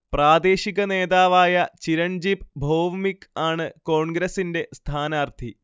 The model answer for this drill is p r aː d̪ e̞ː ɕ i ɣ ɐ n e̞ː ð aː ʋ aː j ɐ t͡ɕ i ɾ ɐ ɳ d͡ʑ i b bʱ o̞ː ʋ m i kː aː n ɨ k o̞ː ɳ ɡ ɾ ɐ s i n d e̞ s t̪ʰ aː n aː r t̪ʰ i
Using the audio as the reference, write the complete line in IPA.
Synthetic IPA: p r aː d̪ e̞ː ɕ i ɣ ɐ n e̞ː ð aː ʋ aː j ɐ t͡ɕ i ɾ ɐ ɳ d͡ʑ i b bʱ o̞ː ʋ m i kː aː ɳ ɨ k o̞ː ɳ ɡ ɾ ɐ s i n d e̞ s t̪ʰ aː n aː r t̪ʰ i